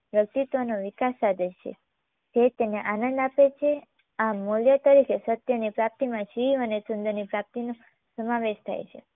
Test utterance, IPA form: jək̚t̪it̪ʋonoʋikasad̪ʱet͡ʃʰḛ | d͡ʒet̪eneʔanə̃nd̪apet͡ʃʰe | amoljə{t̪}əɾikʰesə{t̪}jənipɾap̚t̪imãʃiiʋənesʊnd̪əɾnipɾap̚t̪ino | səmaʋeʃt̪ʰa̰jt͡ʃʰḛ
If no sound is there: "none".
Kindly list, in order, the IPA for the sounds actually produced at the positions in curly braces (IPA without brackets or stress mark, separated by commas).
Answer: t̪, t̪